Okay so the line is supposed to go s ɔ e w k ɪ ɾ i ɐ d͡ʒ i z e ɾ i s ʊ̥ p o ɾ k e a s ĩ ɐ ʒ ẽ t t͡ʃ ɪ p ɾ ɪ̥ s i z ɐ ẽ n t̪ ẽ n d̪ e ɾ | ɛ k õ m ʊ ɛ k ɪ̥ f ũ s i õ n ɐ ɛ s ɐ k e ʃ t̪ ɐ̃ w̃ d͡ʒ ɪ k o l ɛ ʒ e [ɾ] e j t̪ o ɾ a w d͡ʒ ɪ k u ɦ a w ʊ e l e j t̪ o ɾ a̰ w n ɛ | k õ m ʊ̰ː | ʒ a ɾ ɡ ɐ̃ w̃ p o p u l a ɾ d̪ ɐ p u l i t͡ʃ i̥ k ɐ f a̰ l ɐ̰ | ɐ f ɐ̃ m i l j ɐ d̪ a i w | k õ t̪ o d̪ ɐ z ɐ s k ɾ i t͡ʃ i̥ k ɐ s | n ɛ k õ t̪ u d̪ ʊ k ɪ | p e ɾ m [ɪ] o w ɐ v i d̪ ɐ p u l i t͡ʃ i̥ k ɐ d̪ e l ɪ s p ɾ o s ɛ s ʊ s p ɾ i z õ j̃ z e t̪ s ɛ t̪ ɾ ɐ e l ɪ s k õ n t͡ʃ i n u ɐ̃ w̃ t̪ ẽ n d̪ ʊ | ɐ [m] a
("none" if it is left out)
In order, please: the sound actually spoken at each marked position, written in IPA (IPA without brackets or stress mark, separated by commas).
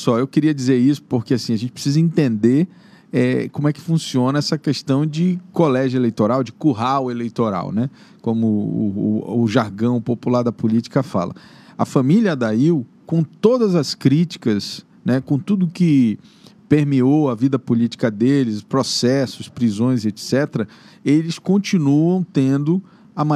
l, i, m